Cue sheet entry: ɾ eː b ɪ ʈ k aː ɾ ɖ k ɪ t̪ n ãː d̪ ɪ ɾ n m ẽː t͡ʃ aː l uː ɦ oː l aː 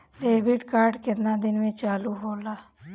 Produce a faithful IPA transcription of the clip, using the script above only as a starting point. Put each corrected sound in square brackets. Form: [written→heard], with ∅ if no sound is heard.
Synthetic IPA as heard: [ɾ→l] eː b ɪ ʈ k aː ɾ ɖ k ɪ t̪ n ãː d̪ ɪ [ɾ→∅] n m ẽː t͡ʃ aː l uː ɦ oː l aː